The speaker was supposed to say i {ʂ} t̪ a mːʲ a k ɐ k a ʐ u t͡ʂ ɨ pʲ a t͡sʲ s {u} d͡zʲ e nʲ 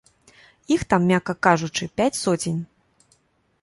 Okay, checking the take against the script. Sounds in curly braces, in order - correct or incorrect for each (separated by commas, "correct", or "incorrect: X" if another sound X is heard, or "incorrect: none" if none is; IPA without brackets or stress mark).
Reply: incorrect: x, incorrect: ɔ